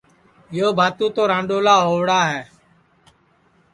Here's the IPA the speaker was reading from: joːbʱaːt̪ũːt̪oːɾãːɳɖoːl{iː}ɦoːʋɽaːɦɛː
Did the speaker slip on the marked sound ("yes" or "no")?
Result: yes